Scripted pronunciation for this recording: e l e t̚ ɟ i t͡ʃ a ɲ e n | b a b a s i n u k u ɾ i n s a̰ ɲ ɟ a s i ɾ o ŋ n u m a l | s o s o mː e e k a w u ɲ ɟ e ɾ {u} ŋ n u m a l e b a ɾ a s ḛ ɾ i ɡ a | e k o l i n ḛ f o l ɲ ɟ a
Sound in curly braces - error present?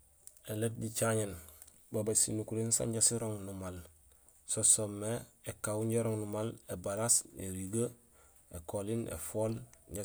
yes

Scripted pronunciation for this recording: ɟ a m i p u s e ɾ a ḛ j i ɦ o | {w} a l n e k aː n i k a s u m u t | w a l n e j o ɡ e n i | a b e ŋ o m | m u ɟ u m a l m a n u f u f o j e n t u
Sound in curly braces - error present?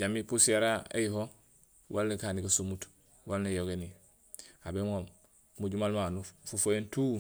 no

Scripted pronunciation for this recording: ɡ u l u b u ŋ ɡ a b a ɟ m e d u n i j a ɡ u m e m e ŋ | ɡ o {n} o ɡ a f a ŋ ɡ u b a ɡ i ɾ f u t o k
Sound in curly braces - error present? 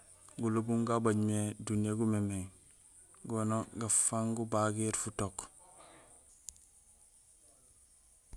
no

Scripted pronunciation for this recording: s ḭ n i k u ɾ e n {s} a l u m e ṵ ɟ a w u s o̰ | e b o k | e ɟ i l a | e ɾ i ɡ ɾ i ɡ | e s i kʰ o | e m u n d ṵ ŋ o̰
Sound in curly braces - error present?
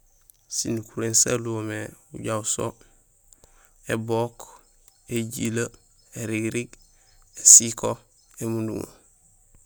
no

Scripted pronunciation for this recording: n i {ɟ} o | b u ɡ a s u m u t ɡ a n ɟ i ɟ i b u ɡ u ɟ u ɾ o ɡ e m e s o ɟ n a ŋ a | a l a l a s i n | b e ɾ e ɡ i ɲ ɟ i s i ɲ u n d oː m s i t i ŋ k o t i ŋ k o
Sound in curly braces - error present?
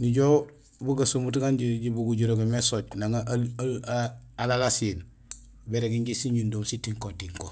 no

